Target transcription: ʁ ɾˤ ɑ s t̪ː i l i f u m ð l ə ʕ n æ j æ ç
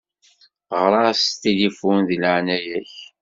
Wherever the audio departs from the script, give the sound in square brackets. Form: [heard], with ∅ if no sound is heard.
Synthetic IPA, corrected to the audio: ʁ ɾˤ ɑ s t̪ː i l i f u [n] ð l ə ʕ n æ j æ ç